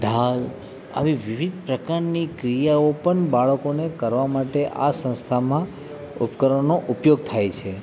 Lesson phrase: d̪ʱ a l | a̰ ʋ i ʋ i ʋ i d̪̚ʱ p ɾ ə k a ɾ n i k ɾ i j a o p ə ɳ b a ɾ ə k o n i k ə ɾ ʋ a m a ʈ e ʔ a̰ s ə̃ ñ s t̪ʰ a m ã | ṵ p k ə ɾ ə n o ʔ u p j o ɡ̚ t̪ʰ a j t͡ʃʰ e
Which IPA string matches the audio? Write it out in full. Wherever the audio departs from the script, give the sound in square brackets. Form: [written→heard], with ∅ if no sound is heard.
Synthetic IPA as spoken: d̪ʱ a l | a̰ ʋ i ʋ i ʋ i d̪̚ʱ p ɾ ə k a ɾ n i k ɾ i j a o p ə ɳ b a [ɾ→ɭ] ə k o n [i→e] k ə ɾ ʋ a m a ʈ e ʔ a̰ s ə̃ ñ s t̪ʰ a m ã | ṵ p k ə ɾ ə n o ʔ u p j o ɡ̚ t̪ʰ a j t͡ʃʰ e